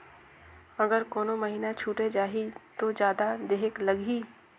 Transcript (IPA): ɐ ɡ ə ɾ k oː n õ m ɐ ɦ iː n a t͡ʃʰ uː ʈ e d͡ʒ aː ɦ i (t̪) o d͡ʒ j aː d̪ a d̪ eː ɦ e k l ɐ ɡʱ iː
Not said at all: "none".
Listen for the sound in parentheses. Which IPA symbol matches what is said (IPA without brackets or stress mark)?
t̪